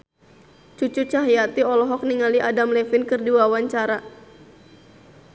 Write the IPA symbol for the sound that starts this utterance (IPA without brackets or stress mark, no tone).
t͡ʃ